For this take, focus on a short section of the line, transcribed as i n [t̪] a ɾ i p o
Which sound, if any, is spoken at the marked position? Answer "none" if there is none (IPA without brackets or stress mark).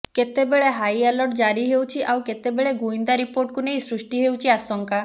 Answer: d̪